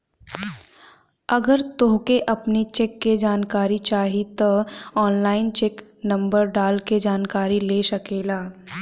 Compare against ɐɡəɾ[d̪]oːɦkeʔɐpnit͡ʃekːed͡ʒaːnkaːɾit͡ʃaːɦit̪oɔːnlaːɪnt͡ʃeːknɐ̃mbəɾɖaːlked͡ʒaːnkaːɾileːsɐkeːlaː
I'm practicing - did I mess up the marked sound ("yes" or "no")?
yes